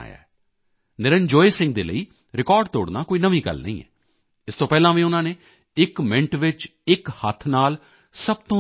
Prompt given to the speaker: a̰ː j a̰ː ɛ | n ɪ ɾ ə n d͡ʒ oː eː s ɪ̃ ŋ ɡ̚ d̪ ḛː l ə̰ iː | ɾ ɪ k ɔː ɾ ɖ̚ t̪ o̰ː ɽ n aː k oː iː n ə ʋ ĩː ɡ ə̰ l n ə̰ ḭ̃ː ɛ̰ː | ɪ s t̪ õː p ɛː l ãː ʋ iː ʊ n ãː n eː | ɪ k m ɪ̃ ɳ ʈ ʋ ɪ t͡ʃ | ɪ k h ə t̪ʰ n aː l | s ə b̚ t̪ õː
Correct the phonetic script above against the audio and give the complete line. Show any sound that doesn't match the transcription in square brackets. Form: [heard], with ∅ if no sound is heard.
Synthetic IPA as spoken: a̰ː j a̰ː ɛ | n ɪ ɾ ə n d͡ʒ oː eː s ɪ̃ ŋ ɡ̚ d̪ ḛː l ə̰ iː | ɾ ɪ k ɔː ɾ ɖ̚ t̪ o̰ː ɽ n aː k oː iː n ə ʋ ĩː ɡ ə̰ l n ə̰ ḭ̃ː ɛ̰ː | ɪ s t̪ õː p ɛː l ãː ʋ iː ʊ n ãː n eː | ɪ k m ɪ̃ ɳ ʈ ʋ ɪ t͡ʃ | ɪ k h ə t̪ʰ n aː l | s ə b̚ t̪ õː